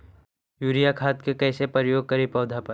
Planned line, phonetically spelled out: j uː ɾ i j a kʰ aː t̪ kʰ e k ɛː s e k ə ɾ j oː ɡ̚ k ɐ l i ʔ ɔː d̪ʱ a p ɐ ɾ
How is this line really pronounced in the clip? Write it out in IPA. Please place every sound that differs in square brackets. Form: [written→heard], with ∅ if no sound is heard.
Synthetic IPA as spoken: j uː ɾ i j a kʰ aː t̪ [kʰ→k] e k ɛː s e [k→p] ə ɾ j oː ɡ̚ k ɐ [l→ɾ] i [ʔ→p] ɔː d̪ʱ a p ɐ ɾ